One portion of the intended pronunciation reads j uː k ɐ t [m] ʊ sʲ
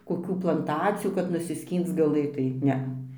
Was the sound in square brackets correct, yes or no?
no